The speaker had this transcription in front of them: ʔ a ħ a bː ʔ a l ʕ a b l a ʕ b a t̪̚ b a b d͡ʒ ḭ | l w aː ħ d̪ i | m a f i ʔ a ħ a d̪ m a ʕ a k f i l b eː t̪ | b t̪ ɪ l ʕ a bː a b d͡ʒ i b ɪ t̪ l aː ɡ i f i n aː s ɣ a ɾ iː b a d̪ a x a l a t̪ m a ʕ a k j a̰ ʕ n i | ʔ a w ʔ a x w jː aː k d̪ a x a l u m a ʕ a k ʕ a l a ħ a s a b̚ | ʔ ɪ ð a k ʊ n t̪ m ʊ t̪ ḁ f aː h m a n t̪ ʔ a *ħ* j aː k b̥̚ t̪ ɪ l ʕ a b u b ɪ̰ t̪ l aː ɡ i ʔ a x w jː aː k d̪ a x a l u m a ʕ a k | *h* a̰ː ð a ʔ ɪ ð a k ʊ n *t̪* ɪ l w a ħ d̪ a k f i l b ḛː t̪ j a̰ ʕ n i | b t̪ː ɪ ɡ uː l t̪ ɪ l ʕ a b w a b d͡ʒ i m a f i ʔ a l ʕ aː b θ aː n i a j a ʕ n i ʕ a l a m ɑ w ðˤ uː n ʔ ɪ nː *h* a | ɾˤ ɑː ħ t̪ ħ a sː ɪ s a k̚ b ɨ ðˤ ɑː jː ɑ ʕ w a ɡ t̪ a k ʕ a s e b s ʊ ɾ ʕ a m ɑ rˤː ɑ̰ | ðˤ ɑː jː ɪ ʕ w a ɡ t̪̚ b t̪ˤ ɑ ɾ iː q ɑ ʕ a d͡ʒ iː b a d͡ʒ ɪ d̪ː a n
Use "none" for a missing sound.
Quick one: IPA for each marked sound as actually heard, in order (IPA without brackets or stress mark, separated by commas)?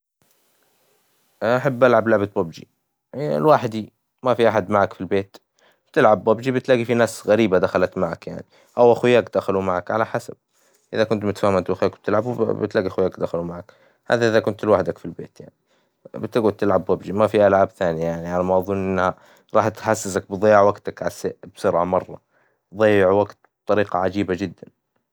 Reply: x, h, t̪, h